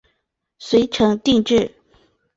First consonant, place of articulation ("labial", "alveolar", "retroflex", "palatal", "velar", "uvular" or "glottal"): alveolar